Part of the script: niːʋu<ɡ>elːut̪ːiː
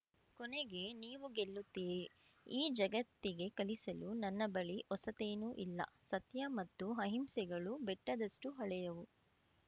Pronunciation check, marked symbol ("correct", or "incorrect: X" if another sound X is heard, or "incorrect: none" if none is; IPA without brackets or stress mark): correct